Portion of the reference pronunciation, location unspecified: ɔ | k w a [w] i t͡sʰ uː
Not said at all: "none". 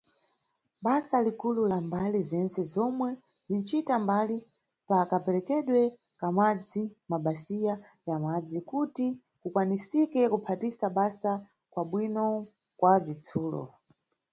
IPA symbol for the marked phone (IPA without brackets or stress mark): v